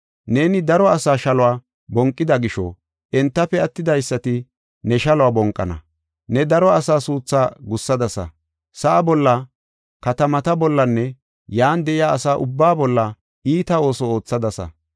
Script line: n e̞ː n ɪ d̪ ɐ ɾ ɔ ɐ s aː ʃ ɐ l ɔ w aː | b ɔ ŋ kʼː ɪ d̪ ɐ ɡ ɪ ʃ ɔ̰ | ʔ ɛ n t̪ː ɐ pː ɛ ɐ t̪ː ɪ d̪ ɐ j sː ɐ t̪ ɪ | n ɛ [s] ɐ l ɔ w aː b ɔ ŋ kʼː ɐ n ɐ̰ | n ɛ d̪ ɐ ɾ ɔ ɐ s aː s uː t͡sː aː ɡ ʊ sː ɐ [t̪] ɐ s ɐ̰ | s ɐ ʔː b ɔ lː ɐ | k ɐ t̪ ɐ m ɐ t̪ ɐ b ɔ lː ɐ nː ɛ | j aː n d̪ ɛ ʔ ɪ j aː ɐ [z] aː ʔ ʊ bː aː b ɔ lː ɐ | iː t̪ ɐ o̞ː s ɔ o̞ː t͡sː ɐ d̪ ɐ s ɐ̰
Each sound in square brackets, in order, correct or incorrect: incorrect, incorrect, incorrect

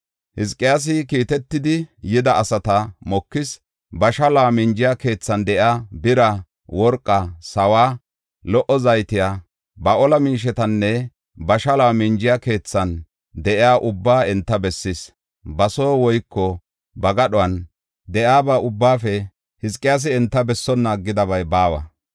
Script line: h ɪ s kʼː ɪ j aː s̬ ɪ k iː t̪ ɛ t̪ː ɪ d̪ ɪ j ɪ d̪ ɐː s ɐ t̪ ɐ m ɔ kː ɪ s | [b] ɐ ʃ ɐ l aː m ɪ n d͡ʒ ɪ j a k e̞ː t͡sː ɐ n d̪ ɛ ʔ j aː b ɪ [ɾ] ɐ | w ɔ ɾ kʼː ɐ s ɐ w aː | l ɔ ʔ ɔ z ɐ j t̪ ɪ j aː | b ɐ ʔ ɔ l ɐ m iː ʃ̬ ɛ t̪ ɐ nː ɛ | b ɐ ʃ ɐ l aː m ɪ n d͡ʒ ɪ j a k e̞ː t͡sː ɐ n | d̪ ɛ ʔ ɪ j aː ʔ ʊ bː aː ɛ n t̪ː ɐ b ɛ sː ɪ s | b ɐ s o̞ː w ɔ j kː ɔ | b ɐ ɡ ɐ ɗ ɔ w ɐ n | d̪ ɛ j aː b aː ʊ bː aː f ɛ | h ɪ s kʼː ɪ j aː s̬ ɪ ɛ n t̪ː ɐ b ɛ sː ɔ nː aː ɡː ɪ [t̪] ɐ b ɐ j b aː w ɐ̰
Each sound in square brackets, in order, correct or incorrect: correct, correct, incorrect

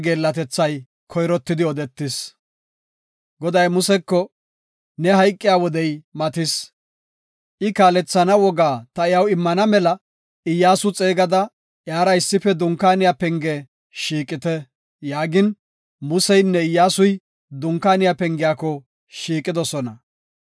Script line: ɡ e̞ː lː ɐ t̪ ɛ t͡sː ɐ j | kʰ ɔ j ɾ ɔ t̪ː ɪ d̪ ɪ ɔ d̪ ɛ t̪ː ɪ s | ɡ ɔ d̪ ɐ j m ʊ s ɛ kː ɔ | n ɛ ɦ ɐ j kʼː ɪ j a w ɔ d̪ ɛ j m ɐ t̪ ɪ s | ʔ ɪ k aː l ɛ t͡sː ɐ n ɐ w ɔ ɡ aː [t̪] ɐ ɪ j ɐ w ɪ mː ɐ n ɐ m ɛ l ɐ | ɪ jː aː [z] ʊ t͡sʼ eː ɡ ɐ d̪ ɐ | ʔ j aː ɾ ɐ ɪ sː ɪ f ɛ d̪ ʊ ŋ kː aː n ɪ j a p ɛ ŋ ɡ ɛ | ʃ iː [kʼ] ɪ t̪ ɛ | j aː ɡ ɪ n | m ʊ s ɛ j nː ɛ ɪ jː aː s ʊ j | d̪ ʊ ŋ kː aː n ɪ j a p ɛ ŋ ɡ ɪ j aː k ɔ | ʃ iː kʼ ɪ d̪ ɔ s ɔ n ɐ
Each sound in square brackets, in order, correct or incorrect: correct, incorrect, correct

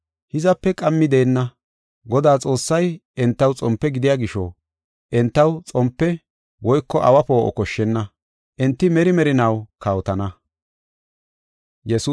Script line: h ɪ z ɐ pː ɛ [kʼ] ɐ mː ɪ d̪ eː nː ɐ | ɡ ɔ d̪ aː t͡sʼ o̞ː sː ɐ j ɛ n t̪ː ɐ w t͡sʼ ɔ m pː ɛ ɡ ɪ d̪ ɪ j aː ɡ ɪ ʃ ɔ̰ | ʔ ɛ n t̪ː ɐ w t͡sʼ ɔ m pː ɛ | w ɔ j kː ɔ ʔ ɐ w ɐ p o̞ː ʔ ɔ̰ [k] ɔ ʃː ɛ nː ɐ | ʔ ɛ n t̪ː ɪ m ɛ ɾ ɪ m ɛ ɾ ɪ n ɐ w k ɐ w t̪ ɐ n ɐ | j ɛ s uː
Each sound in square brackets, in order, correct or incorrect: correct, correct

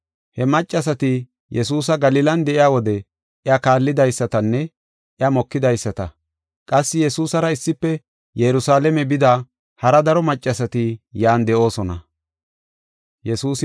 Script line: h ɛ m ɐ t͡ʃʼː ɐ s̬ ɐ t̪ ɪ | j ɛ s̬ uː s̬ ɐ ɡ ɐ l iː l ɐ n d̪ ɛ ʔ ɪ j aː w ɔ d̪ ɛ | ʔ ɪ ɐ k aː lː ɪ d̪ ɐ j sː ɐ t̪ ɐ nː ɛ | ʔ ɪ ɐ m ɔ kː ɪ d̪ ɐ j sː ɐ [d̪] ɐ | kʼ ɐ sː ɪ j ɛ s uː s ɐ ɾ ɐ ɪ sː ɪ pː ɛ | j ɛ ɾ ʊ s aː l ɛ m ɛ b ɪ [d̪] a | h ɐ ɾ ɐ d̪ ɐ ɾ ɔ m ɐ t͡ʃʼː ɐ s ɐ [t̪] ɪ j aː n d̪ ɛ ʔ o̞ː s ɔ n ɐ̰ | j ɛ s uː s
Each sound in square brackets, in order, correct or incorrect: incorrect, correct, correct

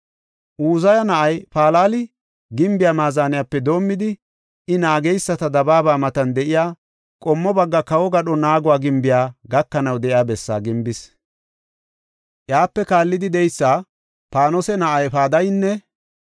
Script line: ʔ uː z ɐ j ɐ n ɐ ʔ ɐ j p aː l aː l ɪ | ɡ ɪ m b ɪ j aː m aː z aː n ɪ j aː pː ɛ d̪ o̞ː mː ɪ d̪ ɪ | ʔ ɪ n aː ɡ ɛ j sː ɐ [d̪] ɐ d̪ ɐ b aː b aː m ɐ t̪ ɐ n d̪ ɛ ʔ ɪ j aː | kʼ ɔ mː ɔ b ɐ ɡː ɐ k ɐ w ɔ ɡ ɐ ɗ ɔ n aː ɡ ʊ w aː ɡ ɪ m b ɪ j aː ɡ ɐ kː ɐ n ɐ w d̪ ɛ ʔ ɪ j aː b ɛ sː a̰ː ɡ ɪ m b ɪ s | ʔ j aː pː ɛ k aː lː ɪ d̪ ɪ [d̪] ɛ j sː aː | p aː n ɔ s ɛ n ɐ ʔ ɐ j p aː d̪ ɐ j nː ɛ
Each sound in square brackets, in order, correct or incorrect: incorrect, correct

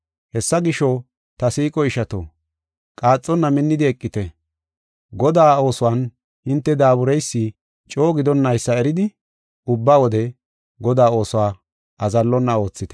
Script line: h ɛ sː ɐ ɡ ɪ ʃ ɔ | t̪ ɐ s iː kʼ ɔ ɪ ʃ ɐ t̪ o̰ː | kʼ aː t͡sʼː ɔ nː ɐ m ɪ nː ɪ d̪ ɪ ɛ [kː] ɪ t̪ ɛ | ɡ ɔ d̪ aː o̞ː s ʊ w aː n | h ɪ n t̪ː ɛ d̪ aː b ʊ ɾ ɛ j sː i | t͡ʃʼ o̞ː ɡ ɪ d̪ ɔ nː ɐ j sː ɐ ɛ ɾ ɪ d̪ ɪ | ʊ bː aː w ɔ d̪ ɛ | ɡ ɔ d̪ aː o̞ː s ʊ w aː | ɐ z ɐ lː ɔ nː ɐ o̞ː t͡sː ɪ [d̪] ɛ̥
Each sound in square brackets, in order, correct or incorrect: incorrect, incorrect

